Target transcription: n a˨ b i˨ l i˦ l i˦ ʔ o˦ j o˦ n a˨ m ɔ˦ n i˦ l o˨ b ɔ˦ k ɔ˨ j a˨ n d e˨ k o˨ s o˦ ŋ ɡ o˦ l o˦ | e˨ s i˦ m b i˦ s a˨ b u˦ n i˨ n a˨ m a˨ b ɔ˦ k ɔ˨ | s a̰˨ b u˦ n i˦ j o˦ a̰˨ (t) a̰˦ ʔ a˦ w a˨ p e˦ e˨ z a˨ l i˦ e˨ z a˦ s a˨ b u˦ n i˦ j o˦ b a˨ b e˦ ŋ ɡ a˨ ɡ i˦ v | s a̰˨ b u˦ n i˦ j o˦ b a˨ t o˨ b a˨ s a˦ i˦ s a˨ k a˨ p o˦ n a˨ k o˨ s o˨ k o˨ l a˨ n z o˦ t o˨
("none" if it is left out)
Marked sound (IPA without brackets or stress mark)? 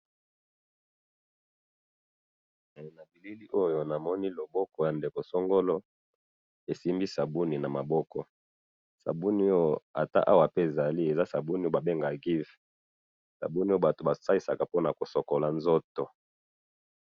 t